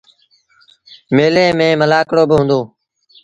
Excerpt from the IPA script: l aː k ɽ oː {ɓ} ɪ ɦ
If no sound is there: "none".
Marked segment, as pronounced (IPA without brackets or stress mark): b